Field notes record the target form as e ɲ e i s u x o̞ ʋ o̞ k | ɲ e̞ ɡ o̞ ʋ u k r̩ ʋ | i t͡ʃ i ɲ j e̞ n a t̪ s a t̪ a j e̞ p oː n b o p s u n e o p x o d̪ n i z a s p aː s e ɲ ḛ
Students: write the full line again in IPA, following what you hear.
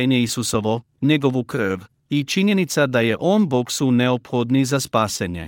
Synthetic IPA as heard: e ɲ e i s u s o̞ ʋ o̞ | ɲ e̞ ɡ o̞ ʋ u k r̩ ʋ | i t͡ʃ i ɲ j e̞ n i t̪ s a d̪ a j e̞ ʔ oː n b o k s u n e o p x o d̪ n i z a s p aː s e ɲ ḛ